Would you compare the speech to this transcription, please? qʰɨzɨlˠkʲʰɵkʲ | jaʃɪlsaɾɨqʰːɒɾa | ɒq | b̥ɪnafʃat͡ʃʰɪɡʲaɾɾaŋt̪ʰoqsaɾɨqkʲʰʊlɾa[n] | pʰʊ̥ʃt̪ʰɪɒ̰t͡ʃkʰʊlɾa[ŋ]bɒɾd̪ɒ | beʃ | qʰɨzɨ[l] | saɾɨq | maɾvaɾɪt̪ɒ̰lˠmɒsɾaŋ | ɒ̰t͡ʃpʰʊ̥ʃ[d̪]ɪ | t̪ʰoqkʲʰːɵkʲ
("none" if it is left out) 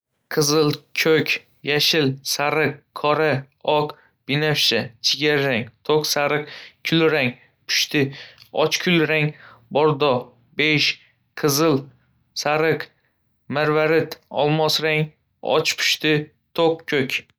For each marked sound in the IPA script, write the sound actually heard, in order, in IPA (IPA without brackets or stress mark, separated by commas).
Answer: ŋ, ŋ, l, t̪